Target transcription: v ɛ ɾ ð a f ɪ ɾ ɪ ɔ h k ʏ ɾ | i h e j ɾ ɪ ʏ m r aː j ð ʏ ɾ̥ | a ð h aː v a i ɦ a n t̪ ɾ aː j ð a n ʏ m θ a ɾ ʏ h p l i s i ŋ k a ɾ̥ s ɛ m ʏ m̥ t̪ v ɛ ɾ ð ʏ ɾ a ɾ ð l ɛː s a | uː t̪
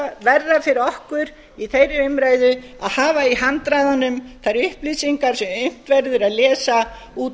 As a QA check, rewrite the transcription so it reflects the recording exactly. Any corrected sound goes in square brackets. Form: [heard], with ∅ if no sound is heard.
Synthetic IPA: v ɛ ɾ ð a f ɪ ɾ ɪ ɔ h k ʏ ɾ | i [θ] e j ɾ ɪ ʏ m [ɾ] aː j ð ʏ [∅] | a ð h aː v a i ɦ a n t̪ ɾ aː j ð a n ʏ m θ a ɾ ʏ h p l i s i ŋ k a ɾ̥ s ɛ m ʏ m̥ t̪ v ɛ ɾ ð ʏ ɾ a [∅] ð l ɛː s a | uː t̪